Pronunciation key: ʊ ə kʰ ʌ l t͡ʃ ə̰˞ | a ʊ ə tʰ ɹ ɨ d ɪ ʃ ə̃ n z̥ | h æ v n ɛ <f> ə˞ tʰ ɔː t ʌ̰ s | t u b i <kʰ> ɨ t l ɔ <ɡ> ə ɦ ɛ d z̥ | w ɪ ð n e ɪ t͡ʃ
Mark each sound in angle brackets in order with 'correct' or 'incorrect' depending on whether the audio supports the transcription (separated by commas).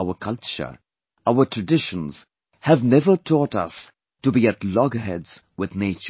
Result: incorrect, incorrect, correct